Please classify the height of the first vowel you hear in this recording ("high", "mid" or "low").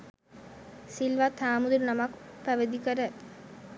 high